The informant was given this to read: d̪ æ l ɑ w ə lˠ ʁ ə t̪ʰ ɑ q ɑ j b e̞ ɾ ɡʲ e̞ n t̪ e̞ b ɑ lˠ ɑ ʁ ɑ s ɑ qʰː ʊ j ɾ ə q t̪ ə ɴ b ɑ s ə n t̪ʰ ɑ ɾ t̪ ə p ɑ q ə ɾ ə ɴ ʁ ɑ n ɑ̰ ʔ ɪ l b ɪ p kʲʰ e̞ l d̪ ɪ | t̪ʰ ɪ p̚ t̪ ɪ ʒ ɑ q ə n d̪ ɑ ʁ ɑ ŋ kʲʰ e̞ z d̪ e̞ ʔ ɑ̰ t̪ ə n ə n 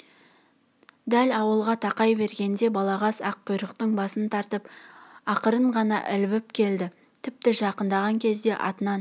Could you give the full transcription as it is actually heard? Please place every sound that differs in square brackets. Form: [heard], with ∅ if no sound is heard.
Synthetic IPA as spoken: d̪ æ l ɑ w ə lˠ ʁ [ɑ] t̪ʰ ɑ q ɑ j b e̞ ɾ ɡʲ e̞ n [d̪] e̞ b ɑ lˠ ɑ ʁ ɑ s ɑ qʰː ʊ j ɾ ə q t̪ ə ɴ b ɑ s ə n t̪ʰ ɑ ɾ t̪ ə p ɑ q ə ɾ ə ɴ ʁ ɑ n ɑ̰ ʔ ɪ l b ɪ p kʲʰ e̞ l d̪ ɪ | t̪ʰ ɪ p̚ t̪ ɪ ʒ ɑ q ə n d̪ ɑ ʁ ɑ ŋ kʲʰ e̞ z d̪ e̞ ʔ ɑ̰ t̪ ə n [ɑ] n

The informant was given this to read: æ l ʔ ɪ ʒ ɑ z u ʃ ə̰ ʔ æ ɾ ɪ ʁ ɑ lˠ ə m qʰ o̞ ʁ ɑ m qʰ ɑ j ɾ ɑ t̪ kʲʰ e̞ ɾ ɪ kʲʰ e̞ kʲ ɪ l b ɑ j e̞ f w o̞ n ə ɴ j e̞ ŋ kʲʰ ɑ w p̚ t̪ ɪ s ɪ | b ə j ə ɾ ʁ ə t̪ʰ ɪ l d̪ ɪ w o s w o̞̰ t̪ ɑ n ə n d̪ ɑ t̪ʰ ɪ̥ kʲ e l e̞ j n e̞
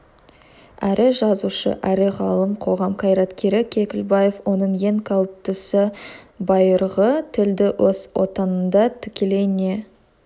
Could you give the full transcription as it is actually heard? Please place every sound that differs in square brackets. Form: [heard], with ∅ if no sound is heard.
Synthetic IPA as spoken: æ [ɾ] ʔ ɪ ʒ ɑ z u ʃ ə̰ ʔ æ ɾ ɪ ʁ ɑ lˠ ə m qʰ o̞ ʁ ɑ m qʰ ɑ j ɾ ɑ t̪ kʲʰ e̞ ɾ ɪ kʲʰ e̞ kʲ ɪ l b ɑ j e̞ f w o̞ n ə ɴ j e̞ ŋ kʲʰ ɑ w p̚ t̪ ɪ s ɪ | b [ɑ] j ə ɾ ʁ ə t̪ʰ ɪ l d̪ ɪ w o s w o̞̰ t̪ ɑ n ə n d̪ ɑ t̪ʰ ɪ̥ kʲ e l e̞ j n e̞

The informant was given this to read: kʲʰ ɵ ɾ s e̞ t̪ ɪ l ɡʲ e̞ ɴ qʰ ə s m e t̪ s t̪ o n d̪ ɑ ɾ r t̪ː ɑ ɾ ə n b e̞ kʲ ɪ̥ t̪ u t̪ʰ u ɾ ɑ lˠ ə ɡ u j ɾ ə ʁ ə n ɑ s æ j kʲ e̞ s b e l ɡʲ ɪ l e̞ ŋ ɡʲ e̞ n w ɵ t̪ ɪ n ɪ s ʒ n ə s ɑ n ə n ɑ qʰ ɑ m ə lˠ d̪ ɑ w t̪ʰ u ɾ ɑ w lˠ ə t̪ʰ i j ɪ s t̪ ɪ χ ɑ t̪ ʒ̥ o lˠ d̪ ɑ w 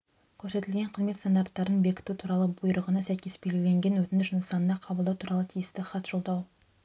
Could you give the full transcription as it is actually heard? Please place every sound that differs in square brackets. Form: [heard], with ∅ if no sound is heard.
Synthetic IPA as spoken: kʲʰ ɵ ɾ s e̞ t̪ ɪ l ɡʲ e̞ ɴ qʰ ə [z] m e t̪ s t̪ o n d̪ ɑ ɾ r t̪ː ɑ ɾ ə n b e̞ kʲ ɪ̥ t̪ u t̪ʰ u ɾ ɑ lˠ ə [b] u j ɾ ə ʁ ə n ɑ s æ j kʲ e̞ s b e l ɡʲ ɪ l e̞ ŋ ɡʲ e̞ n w ɵ t̪ ɪ n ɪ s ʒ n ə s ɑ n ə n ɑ qʰ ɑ [b] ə lˠ d̪ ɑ w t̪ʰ u ɾ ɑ [∅] lˠ ə t̪ʰ i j ɪ s t̪ ɪ χ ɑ t̪ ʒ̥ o lˠ d̪ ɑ w

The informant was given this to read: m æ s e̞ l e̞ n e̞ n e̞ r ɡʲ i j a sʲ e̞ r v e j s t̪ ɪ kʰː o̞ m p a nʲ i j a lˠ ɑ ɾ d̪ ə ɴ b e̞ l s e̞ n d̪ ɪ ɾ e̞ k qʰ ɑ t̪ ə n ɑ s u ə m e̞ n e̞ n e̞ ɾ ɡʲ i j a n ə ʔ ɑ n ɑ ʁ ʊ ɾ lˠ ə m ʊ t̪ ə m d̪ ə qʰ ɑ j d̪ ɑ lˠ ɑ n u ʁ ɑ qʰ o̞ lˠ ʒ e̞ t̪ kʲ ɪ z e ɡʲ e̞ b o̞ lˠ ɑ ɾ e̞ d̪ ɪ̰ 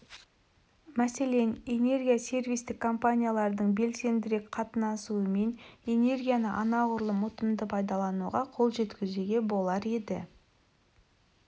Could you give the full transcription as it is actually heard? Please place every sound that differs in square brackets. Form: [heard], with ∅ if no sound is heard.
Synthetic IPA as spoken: m æ s e̞ l e̞ n e̞ n e̞ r ɡʲ i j a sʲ e̞ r v [i] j s t̪ ɪ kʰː o̞ m p a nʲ i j a lˠ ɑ ɾ d̪ ə ɴ b e̞ l s e̞ n d̪ ɪ ɾ e̞ k qʰ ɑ t̪ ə n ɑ s u ə m e̞ n e̞ n e̞ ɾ ɡʲ i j a n ə ʔ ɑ n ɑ ʁ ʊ ɾ lˠ ə m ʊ t̪ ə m d̪ ə [pʰ] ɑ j d̪ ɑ lˠ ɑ n u ʁ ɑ qʰ o̞ lˠ ʒ e̞ t̪ kʲ ɪ z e ɡʲ e̞ b o̞ lˠ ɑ ɾ e̞ d̪ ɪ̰

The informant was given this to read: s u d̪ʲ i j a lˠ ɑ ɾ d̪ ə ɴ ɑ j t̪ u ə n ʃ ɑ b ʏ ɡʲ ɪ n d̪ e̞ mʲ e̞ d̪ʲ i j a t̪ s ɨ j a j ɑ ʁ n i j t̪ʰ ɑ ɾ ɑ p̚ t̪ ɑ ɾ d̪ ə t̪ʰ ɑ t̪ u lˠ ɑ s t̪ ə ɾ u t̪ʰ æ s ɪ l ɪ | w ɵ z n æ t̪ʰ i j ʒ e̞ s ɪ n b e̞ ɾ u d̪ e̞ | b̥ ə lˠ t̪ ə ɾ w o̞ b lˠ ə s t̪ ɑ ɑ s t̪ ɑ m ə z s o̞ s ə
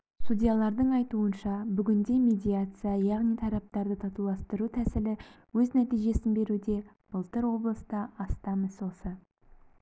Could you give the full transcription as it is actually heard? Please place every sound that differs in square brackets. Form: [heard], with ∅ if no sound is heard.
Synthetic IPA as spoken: s u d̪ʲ i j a lˠ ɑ ɾ d̪ ə ɴ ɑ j t̪ u ə n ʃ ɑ b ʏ ɡʲ ɪ n d̪ e̞ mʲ e̞ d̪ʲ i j a t̪ s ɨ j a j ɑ ʁ n i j t̪ʰ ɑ ɾ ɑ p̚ t̪ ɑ ɾ d̪ ə t̪ʰ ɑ t̪ u lˠ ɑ s t̪ ə ɾ u t̪ʰ æ s ɪ l ɪ | w ɵ z n æ [t̪] i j ʒ e̞ s ɪ n b e̞ ɾ u d̪ e̞ | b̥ ə lˠ t̪ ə ɾ w o̞ b lˠ ə s t̪ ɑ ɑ s t̪ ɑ m ə z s o̞ s ə

